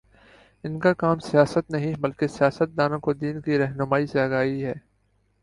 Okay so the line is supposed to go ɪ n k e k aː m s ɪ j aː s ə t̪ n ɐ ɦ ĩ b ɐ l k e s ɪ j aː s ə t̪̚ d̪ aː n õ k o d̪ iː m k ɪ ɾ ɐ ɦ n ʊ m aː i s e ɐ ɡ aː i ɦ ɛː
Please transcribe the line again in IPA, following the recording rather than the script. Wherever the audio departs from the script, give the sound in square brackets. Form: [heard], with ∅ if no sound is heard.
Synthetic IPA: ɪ n k [a] k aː m s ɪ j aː s ə t̪ n ɐ ɦ ĩ b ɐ l k e s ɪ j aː s ə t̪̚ d̪ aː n õ k o d̪ iː [n] k [i] ɾ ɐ ɦ n ʊ m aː i s e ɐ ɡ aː i ɦ ɛː